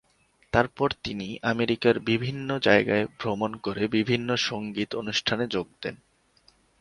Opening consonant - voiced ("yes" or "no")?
no